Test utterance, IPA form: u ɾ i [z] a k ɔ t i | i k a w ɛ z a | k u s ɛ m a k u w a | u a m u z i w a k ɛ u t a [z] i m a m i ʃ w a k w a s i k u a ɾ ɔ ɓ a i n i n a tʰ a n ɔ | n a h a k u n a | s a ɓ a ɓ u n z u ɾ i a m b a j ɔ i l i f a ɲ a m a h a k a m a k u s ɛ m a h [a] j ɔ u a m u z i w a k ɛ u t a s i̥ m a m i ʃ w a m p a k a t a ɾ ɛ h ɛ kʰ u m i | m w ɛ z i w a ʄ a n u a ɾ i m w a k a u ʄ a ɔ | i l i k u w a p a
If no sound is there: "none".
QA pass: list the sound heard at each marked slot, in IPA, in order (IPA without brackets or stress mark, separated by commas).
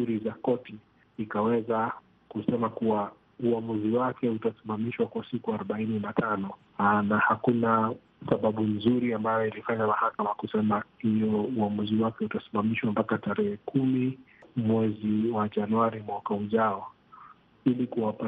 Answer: z, s, i